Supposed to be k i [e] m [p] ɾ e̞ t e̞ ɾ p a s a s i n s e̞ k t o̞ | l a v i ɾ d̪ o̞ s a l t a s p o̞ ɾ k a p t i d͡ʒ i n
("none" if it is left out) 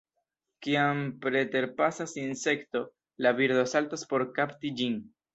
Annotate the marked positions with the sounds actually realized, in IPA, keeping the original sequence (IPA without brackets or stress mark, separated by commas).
a, p